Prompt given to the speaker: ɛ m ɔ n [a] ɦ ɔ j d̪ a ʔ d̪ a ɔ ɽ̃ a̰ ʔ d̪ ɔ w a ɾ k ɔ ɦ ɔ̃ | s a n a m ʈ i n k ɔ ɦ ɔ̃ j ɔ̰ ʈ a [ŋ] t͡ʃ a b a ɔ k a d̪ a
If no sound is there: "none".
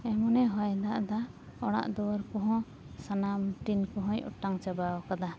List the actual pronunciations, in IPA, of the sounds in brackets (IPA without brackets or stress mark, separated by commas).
ɛ, ŋ